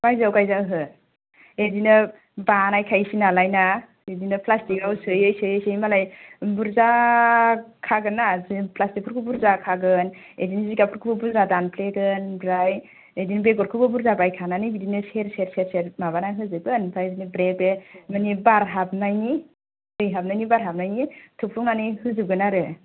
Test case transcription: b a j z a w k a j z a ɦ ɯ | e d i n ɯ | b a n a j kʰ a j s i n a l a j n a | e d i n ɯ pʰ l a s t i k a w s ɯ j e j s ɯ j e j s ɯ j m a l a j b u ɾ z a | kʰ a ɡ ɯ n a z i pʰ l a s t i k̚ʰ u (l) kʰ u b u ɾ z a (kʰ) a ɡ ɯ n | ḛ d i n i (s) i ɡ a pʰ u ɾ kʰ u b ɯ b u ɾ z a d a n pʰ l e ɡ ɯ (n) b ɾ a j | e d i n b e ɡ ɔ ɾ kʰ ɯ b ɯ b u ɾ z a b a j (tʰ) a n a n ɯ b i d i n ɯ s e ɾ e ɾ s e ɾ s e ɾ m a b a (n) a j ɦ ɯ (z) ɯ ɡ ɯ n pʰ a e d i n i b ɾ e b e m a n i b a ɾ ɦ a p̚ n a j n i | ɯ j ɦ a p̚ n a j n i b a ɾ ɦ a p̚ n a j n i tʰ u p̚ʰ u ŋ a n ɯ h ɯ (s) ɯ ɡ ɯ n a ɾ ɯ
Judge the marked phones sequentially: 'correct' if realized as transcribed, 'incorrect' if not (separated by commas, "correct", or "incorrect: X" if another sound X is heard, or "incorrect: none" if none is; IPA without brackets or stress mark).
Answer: incorrect: ɾ, correct, incorrect: z, correct, incorrect: kʰ, correct, correct, incorrect: z